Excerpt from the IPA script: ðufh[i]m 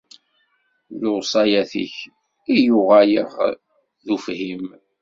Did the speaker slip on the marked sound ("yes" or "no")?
no